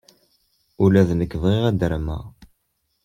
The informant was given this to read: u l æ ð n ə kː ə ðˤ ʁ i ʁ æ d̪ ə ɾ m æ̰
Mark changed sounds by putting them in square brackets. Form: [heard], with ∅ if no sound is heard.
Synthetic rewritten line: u l æ ð n ə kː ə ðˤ ʁ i ʁ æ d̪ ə ɾ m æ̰